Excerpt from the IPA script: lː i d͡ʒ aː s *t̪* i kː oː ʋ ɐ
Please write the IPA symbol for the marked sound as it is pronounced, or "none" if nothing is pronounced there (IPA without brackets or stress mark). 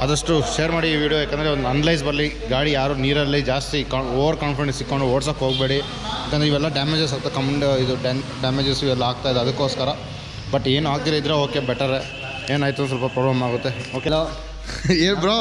t̪